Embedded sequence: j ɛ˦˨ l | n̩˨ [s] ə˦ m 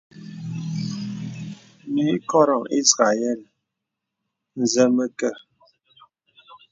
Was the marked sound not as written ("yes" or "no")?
yes